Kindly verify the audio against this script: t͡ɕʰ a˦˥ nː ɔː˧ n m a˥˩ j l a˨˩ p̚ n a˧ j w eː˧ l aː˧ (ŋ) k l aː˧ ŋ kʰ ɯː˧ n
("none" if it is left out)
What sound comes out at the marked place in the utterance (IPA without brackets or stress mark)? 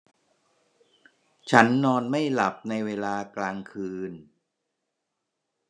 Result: none